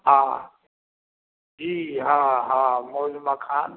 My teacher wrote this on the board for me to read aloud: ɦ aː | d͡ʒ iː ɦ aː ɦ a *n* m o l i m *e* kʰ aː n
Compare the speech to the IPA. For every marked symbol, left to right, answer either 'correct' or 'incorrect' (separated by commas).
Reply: incorrect, incorrect